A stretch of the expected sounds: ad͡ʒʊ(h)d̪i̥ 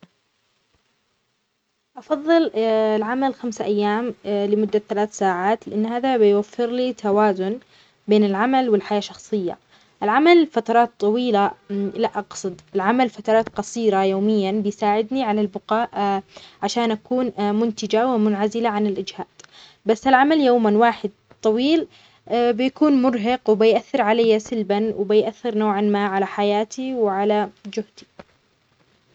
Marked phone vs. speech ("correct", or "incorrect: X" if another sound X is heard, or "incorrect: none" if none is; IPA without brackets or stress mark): correct